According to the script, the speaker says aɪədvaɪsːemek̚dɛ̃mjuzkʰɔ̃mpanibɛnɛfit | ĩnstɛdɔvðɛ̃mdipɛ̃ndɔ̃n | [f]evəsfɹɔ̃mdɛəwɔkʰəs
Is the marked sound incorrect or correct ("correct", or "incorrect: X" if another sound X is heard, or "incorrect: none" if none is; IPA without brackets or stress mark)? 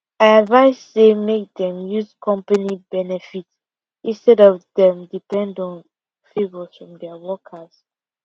correct